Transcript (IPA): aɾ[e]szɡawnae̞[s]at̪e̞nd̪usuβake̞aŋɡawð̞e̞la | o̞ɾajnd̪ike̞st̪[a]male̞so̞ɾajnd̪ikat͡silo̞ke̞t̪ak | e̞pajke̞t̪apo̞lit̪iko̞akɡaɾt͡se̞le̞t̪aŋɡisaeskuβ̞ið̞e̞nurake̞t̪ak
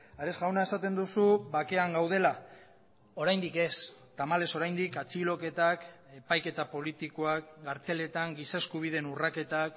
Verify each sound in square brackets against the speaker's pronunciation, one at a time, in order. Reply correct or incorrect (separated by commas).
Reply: correct, correct, correct